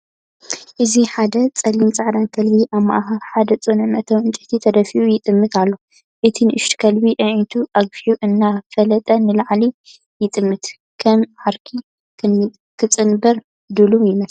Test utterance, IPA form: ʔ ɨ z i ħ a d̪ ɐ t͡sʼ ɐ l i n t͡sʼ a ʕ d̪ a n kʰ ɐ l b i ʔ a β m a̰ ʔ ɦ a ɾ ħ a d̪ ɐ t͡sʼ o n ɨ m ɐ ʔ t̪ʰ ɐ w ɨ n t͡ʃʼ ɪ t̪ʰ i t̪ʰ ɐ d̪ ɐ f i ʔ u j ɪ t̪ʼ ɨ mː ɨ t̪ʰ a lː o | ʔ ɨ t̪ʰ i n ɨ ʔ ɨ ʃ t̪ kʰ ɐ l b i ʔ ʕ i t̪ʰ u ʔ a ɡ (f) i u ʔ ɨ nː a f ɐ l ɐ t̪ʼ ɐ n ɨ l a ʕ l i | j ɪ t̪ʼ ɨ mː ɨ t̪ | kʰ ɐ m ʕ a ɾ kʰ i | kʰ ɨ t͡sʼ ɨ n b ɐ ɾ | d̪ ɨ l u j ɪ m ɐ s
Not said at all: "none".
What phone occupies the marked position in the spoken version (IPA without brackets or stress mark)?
f